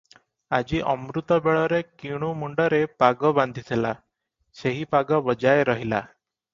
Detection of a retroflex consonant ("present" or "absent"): present